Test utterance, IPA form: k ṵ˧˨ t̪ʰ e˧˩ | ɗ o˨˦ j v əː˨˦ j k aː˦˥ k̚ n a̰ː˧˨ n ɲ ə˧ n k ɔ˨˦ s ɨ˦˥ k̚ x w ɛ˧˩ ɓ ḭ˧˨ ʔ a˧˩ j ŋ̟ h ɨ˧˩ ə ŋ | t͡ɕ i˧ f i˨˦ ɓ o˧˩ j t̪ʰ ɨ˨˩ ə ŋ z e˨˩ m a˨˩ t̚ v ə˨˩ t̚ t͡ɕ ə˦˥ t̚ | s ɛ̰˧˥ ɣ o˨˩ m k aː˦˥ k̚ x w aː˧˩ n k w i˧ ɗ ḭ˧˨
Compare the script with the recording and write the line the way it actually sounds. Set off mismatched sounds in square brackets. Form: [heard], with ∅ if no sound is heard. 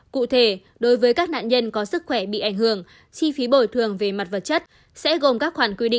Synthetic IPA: k ṵ˧˨ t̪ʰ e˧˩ | ɗ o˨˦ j v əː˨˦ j k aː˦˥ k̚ n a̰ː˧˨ n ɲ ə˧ n k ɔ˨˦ s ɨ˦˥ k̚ x w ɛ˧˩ ɓ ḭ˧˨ ʔ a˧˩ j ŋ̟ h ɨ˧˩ ə ŋ | t͡ɕ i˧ f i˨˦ ɓ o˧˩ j t̪ʰ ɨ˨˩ ə ŋ [v] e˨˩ m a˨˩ t̚ v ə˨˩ t̚ t͡ɕ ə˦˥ t̚ | s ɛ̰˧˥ ɣ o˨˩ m k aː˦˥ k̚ x w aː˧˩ n k w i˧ ɗ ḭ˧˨